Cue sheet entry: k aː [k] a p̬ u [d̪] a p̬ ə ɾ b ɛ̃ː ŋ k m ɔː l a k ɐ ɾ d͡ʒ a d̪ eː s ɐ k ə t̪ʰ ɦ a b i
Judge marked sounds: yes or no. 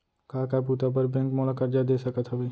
yes, no

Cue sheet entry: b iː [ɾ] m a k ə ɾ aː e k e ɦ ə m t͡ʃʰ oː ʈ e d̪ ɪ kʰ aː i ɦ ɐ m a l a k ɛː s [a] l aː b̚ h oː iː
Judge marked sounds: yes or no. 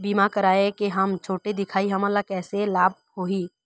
no, no

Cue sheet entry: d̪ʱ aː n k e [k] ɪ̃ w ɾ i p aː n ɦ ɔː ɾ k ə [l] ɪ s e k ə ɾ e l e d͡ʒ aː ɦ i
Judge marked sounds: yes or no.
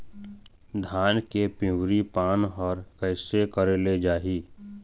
no, no

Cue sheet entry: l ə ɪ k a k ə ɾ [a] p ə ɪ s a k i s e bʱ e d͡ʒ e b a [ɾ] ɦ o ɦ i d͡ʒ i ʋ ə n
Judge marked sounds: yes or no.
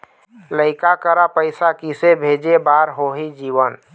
yes, yes

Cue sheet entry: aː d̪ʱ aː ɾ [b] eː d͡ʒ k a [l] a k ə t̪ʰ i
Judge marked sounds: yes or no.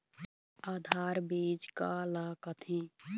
yes, yes

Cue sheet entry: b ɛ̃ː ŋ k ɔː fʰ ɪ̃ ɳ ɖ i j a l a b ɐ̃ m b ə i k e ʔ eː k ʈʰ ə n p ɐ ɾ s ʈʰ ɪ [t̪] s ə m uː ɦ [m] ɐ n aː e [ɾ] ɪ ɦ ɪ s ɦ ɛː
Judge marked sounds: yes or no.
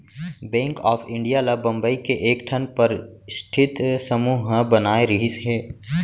yes, no, yes

